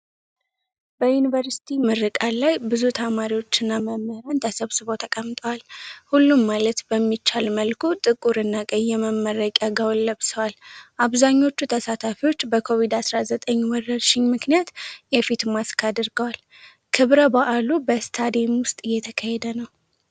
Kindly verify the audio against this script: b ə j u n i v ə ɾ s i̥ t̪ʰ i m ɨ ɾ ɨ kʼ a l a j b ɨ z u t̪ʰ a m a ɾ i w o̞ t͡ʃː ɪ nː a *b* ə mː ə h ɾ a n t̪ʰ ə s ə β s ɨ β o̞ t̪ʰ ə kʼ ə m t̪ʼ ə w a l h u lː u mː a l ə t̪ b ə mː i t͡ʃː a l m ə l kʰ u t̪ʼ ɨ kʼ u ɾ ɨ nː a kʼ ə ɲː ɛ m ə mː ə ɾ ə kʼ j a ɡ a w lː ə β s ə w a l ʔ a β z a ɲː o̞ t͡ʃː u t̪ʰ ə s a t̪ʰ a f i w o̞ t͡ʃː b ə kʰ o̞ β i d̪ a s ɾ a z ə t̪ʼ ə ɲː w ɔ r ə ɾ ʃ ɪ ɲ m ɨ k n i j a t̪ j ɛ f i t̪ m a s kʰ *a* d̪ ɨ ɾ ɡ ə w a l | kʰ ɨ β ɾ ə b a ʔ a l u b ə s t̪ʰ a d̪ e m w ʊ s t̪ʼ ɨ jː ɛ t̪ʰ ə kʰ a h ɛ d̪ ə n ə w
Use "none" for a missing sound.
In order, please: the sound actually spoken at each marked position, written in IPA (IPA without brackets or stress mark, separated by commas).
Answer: m, a